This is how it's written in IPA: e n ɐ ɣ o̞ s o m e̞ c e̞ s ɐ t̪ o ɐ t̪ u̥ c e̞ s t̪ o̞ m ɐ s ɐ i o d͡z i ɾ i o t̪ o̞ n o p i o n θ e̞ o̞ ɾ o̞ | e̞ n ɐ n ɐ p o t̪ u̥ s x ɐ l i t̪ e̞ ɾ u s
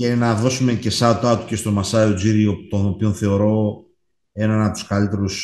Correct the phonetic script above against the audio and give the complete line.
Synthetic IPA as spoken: e n ɐ ð o̞ s u m e̞ c e̞ s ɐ t̪ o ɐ t̪ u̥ c e̞ s t̪ o̞ m ɐ s ɐ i o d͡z i ɾ i o t̪ o̞ n o p i o n θ e̞ o̞ ɾ o̞ | e̞ n ɐ n ɐ p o t̪ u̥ s k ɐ l i t̪ e̞ ɾ u s